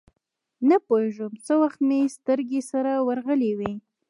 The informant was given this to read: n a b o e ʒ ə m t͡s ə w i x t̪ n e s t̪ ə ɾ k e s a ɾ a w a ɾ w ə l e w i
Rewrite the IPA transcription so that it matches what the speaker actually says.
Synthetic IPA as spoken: n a p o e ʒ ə m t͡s ə w a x t̪ m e s t̪ ə ɾ ɡ e s a ɾ a w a ɾ ɣ ə l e w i